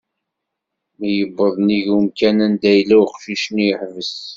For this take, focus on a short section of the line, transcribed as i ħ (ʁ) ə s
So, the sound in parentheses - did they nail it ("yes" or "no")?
no